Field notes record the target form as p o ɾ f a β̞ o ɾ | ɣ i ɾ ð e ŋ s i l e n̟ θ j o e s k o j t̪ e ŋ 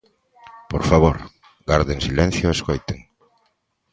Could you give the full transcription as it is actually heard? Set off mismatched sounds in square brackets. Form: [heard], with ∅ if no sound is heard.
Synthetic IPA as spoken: p o ɾ f a β̞ o ɾ | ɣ [a] ɾ ð e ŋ s i l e n̟ θ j o e s k o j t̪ e ŋ

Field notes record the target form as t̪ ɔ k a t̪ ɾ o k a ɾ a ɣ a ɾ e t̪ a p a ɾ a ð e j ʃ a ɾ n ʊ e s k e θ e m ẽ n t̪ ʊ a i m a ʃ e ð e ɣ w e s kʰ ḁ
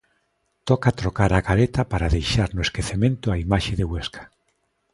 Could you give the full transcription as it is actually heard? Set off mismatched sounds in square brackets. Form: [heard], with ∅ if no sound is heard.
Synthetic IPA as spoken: t̪ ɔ k a t̪ ɾ o k a ɾ a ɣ a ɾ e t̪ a p a ɾ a ð e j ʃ a ɾ n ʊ e s k e θ e m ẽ n t̪ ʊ a i m a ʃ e ð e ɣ w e s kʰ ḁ

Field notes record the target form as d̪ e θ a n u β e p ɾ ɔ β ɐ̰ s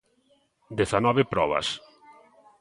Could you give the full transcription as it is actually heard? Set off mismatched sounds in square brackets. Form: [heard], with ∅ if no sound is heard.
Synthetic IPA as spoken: d̪ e θ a n [ɔ] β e p ɾ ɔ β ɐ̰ s

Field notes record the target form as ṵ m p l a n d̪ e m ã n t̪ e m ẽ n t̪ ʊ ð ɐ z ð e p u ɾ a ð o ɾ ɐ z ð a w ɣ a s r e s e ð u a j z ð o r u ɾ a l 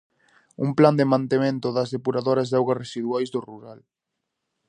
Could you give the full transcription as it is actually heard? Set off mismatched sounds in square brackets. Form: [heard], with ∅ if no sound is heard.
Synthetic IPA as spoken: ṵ m p l a n d̪ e m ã n t̪ e m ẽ n t̪ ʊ ð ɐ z ð e p u ɾ a ð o ɾ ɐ z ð a w ɣ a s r e s [i] ð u a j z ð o r u ɾ a l

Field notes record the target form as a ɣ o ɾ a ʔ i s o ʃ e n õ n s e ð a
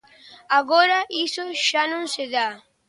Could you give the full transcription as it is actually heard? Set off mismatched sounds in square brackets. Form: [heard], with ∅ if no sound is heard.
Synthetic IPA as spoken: a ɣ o ɾ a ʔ i s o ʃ [a] n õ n s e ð a

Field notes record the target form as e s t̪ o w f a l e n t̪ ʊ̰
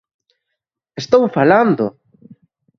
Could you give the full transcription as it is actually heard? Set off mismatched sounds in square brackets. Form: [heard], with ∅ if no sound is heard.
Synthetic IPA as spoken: e s t̪ o w f a l [a] n [d̪] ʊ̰

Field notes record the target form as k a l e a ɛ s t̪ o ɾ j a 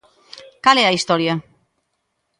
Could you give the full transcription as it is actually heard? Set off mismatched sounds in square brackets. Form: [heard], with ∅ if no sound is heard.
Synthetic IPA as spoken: k a l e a [i] s t̪ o ɾ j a

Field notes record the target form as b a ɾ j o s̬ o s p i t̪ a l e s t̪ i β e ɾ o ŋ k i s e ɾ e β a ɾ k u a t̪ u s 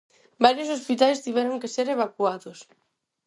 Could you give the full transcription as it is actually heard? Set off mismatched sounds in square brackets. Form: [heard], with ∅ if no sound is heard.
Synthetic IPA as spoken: b a ɾ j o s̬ o s p i t̪ a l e s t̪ i β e ɾ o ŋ k [e] s e ɾ e β a [∅] k u a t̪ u s

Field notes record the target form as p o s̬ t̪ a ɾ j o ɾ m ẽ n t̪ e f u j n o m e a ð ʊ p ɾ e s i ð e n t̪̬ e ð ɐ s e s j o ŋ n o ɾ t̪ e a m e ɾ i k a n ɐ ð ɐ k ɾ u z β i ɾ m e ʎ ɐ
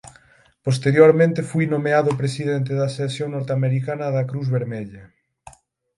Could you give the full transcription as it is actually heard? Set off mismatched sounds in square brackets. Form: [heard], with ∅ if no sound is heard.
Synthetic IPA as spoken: p o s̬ t̪ [e] ɾ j o ɾ m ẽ n t̪ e f u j n o m e a ð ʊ p ɾ e s i ð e n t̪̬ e ð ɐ s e s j o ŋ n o ɾ t̪ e a m e ɾ i k a n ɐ ð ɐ k ɾ u z β [e] ɾ m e ʎ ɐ

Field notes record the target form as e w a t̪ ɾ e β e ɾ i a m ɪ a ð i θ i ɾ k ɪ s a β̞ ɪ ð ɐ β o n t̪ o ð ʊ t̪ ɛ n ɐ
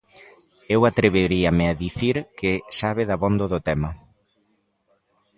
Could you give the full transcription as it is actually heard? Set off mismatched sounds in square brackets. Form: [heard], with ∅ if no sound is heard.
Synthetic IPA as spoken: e w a t̪ ɾ e β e ɾ i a m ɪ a ð i θ i ɾ k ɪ s a β̞ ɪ ð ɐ β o n [d̪] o ð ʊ t̪ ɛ [m] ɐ

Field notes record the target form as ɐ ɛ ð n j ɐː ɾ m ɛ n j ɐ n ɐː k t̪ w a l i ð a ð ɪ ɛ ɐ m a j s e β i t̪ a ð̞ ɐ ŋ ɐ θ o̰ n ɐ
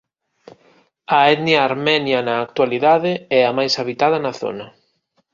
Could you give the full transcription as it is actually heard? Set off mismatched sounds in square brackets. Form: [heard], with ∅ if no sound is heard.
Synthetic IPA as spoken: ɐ ɛ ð n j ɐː ɾ m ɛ n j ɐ n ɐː k t̪ w a l i ð a ð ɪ ɛ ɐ m a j s [a] β i t̪ a ð̞ ɐ [n] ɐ θ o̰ n ɐ

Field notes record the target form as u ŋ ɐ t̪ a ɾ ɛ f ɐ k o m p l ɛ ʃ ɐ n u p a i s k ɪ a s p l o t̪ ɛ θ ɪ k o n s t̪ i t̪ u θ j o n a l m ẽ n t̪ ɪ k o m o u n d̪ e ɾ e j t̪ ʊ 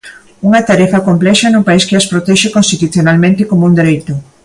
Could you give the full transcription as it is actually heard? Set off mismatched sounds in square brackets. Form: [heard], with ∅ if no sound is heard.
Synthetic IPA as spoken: u ŋ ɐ t̪ a ɾ ɛ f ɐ k o m p l ɛ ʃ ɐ n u p a i s k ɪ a s p [ɾ] o t̪ ɛ [ʃ] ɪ k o n s t̪ i t̪ u θ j o n a l m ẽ n t̪ ɪ k o m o u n d̪ e ɾ e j t̪ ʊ

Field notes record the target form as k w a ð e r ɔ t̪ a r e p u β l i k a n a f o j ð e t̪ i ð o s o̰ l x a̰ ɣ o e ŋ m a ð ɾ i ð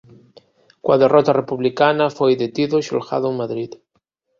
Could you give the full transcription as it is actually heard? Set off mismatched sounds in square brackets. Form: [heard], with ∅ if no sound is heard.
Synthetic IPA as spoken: k w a ð e r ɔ t̪ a r e p u β l i k a n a f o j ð e t̪ i ð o [ʃ] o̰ l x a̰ [ð] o e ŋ m a ð ɾ i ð

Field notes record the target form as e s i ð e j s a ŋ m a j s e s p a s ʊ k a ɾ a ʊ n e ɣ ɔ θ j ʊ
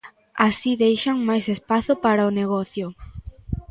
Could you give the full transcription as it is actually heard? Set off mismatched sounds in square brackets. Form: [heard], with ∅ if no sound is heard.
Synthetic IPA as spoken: [a] s i ð e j [ʃ] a ŋ m a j s e s p a [θ] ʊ [p] a ɾ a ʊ n e ɣ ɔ θ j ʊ

